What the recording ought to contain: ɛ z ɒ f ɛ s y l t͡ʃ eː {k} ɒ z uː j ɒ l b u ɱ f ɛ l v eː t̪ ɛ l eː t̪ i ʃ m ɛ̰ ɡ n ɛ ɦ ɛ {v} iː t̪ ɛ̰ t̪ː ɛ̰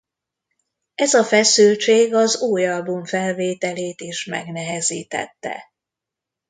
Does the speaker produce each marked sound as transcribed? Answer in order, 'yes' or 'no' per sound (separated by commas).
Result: no, no